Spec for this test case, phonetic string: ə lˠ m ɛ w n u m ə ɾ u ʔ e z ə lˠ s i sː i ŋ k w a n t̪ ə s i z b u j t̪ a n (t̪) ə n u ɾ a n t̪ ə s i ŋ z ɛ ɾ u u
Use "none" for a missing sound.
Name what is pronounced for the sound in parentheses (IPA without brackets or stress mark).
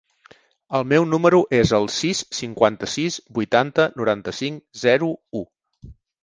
t̪